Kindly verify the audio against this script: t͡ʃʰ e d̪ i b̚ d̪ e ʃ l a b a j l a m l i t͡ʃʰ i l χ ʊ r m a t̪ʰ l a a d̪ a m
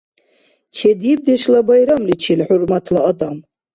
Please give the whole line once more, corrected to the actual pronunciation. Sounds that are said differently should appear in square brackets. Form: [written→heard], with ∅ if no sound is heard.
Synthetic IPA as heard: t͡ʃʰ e d̪ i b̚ d̪ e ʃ l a b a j [l→ɾ] a m l i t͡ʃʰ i l [χ→ħ] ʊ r m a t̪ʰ l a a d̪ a m